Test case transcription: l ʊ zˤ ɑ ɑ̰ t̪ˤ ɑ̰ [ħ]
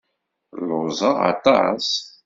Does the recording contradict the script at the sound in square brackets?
yes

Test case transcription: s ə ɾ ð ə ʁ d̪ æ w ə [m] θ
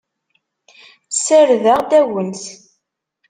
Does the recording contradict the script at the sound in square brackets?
yes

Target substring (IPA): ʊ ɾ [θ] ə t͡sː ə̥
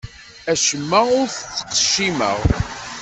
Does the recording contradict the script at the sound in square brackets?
no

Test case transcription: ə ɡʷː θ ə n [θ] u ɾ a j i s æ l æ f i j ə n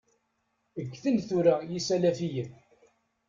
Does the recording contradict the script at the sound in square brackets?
no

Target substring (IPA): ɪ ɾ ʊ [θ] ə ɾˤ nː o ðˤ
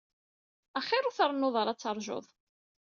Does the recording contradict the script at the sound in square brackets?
no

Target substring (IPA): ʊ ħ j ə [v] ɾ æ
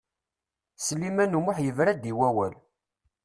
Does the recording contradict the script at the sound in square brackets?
no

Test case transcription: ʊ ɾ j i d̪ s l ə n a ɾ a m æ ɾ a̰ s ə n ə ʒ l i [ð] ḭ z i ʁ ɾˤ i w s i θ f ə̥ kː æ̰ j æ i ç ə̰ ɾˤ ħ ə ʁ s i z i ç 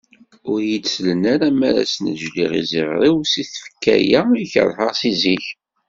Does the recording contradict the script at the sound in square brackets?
yes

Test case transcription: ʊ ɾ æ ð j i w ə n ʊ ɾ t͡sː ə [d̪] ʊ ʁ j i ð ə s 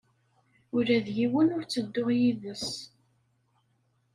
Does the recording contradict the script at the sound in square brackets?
yes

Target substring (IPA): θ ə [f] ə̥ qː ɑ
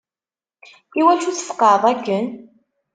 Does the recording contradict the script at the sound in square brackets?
no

